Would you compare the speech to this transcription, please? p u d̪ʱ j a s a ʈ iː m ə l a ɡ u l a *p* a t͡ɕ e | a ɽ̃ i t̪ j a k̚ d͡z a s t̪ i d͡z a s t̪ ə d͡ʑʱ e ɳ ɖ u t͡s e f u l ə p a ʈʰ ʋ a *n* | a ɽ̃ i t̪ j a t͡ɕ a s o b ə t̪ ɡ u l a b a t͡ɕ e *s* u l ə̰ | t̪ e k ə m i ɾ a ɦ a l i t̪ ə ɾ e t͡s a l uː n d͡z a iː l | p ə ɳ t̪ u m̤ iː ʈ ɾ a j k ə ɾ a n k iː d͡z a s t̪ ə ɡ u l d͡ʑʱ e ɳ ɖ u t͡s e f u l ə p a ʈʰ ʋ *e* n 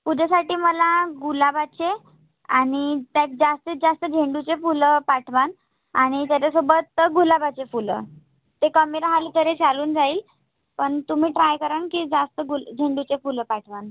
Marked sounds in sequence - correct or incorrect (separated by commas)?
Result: incorrect, correct, incorrect, incorrect